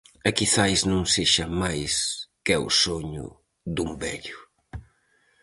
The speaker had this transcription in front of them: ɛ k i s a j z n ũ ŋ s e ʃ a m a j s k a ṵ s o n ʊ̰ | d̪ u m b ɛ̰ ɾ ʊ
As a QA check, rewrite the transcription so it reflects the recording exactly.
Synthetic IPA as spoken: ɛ k i θ a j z n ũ ŋ s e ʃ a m a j s k ɛ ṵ s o ɲ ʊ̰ | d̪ u m b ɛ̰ ʎ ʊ